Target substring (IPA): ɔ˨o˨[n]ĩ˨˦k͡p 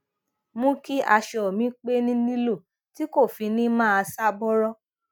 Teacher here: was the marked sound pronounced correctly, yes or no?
no